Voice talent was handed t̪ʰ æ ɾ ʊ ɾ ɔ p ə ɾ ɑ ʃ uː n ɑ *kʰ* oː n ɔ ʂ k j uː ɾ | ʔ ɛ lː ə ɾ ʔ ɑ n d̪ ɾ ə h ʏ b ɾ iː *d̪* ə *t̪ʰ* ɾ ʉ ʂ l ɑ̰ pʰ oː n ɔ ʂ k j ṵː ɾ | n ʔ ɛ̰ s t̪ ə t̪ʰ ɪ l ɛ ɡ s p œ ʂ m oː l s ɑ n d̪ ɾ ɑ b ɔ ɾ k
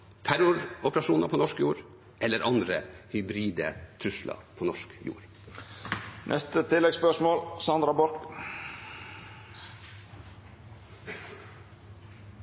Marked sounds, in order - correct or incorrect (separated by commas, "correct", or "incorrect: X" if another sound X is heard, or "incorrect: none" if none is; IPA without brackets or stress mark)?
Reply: incorrect: pʰ, correct, correct